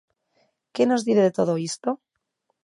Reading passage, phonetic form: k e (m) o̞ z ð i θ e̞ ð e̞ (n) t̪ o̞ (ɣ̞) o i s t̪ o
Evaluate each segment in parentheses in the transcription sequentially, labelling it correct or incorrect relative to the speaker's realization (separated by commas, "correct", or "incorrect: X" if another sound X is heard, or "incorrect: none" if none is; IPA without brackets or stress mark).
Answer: incorrect: n, incorrect: none, incorrect: ð̞